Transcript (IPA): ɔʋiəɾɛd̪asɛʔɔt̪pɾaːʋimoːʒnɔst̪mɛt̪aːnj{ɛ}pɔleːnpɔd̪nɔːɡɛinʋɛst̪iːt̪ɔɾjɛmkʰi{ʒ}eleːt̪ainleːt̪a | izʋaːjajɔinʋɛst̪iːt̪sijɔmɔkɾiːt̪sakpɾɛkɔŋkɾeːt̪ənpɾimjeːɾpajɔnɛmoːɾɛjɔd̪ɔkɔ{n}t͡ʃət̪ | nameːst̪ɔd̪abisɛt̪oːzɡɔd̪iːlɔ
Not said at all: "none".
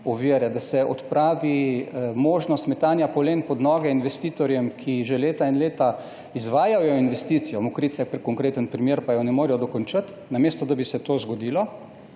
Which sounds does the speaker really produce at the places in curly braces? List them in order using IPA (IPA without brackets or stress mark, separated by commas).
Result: a, ʒ, n